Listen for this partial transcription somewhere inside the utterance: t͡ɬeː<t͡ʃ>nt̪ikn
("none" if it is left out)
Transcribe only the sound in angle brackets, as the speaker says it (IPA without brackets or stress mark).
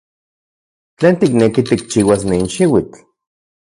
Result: none